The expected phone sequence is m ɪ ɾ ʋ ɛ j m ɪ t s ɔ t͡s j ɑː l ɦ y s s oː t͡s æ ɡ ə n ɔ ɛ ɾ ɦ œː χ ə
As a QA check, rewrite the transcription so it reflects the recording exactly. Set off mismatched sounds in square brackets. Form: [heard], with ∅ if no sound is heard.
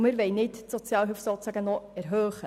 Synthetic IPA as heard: m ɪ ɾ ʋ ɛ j [n] ɪ t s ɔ t͡s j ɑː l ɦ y [f] s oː t͡s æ ɡ ə n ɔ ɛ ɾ ɦ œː χ ə

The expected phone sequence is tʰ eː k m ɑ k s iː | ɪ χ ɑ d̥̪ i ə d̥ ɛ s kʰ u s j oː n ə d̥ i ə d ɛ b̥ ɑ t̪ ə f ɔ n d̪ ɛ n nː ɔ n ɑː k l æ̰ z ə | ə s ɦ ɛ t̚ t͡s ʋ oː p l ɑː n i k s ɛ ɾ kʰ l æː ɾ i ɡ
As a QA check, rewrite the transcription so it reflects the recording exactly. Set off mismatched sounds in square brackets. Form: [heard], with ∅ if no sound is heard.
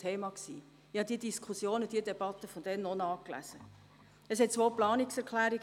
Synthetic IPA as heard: tʰ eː [∅] m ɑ k s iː | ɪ [h] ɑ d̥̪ i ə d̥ [i] s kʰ u s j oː n ə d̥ i ə d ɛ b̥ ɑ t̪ ə f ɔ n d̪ ɛ n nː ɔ n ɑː k l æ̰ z ə | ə s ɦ ɛ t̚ t͡s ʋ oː p l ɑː n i k s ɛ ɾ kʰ l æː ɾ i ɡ

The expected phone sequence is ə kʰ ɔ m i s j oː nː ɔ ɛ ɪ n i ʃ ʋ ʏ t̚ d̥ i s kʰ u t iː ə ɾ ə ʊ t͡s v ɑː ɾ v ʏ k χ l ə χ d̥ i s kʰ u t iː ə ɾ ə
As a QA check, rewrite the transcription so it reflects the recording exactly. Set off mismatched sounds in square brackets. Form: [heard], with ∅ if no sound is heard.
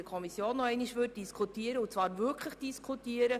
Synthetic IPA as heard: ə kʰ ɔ m i s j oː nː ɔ ɛ ɪ n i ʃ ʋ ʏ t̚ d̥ i s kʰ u t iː ə ɾ ə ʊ t͡s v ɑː ɾ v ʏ k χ l ə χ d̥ i s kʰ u t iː ə ɾ ə

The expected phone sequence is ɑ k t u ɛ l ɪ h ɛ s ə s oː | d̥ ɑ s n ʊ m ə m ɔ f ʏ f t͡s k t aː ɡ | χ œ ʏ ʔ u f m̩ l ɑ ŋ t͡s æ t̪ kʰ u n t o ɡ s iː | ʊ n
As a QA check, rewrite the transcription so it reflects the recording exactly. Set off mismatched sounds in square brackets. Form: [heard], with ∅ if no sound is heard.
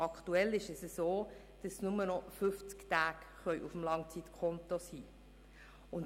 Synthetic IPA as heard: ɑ k t u ɛ l ɪ [ʃ] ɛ s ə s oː | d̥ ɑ s n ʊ m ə [n] ɔ f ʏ f t͡s k t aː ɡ | χ œ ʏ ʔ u f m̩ l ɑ ŋ t͡s [i] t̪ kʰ [ɔ] n t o [∅] s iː | ʊ n

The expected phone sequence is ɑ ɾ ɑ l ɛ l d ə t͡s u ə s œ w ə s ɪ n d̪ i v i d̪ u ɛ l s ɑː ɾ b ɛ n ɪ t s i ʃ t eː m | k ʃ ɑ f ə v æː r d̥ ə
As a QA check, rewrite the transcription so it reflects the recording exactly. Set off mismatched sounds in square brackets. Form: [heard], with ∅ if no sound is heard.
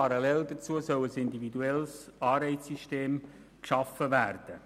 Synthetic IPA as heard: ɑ ɾ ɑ l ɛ l d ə t͡s u ə s œ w ə s ɪ n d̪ i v i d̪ u ɛ l s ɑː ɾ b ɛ [∅] ɪ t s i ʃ t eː m | k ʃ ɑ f ə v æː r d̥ ə

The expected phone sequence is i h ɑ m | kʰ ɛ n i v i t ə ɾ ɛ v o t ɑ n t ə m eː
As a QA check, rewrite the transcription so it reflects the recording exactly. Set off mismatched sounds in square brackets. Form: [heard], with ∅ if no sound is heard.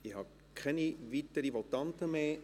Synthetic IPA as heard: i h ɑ [∅] | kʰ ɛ n i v i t ə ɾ [i] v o t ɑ n t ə m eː

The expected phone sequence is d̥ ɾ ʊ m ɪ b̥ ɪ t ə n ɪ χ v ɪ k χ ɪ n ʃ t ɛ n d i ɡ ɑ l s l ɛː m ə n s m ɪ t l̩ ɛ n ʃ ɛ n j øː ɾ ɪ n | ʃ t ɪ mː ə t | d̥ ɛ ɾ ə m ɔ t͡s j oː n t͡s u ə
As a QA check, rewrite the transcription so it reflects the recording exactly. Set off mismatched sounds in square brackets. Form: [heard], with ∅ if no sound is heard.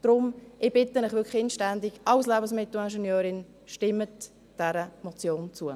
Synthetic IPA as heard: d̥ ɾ ʊ m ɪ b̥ ɪ t ə n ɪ χ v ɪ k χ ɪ n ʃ t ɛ n d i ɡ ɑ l s l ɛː [b] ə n s m ɪ t l̩ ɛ n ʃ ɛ n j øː ɾ ɪ n | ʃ t ɪ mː ə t | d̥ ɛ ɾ ə m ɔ t͡s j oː n t͡s u ə

